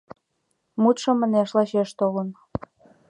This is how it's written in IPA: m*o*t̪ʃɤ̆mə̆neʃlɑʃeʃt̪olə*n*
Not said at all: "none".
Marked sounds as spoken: u, n

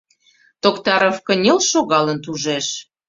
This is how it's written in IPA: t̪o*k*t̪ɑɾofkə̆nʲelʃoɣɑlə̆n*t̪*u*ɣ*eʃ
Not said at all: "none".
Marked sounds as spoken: k, t̪, ʒ

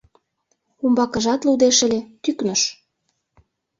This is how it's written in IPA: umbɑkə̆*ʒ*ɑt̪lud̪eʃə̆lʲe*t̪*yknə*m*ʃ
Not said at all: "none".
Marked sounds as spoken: ʒ, t̪, none

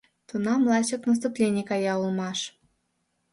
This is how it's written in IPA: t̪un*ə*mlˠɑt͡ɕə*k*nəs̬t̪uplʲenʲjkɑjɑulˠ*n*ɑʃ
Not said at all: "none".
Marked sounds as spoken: ɑ, k, m

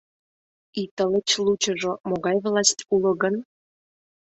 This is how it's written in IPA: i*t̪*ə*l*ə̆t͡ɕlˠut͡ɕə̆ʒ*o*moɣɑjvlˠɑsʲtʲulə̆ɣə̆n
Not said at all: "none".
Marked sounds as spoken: t̪, l, o

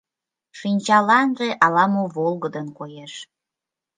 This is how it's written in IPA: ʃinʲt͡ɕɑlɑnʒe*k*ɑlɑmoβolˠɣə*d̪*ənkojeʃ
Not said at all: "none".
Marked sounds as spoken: ʔ, d̪

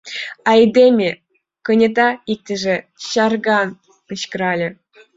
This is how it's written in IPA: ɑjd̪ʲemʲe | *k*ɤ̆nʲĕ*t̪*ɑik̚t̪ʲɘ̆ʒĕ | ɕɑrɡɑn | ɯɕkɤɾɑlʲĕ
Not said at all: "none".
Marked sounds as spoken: k, t̪

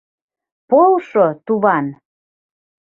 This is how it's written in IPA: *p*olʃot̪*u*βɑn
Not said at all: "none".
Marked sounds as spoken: p, u

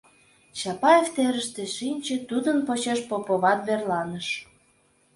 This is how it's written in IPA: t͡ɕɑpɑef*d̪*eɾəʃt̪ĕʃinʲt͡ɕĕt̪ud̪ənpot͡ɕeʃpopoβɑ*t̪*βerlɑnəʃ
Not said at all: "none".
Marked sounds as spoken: t̪, t̪

